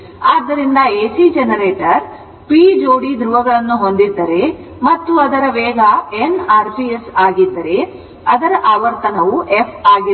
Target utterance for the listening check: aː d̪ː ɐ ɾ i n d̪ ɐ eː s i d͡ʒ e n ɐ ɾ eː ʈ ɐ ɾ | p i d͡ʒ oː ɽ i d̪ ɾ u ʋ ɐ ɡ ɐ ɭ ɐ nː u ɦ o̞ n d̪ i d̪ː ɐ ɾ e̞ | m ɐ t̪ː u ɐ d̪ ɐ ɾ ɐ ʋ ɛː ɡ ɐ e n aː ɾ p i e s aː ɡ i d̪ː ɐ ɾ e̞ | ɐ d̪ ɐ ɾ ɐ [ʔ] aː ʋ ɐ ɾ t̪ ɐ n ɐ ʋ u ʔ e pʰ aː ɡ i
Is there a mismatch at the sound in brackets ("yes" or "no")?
no